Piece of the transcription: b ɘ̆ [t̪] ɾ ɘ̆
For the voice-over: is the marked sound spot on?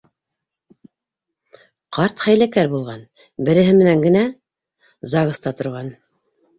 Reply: no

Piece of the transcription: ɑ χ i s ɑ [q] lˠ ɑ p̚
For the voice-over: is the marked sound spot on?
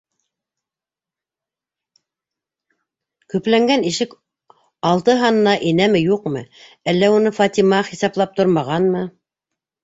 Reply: no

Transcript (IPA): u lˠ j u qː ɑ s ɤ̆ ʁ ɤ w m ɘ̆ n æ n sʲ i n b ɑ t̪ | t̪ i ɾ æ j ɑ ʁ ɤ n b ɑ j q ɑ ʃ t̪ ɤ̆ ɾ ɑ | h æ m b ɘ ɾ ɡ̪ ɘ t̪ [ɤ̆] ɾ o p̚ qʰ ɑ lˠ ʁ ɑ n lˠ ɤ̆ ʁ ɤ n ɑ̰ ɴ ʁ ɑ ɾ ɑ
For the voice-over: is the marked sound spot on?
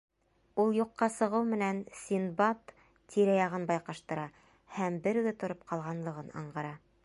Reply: no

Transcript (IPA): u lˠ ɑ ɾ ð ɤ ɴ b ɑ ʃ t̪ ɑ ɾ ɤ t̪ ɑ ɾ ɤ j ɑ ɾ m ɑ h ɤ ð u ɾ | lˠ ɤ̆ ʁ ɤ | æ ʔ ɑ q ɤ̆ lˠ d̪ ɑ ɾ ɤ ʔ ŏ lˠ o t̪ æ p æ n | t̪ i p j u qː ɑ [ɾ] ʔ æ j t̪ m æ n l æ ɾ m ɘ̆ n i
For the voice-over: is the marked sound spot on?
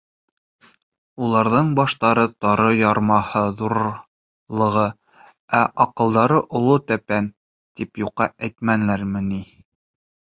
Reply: no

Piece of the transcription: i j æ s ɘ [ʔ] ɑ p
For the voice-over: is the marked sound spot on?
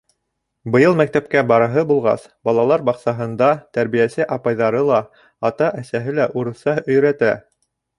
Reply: yes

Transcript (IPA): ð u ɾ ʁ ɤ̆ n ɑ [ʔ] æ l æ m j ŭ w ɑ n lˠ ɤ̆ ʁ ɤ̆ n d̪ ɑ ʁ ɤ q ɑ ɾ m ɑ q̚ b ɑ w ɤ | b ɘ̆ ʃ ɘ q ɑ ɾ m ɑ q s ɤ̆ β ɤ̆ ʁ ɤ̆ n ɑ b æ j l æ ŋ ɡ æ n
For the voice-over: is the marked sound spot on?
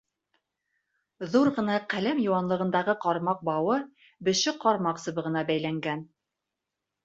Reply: no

